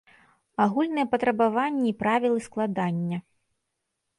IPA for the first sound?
a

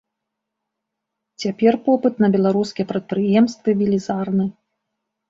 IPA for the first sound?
t͡sʲ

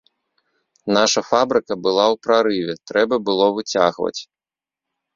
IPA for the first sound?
n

